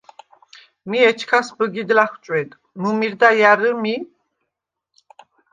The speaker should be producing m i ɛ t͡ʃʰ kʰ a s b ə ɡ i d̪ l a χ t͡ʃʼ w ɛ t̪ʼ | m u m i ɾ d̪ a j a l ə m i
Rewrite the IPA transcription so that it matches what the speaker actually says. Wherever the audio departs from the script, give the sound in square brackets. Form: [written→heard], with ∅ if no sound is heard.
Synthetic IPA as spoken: m i ɛ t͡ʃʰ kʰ a s b ə ɡ i d̪ l a χ t͡ʃʼ w ɛ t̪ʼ | m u m i ɾ d̪ a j a [l→ɾ] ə m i